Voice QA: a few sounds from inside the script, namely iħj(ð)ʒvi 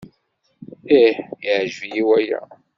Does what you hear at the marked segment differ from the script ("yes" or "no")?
yes